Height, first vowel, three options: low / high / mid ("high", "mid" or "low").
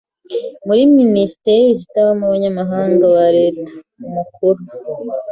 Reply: high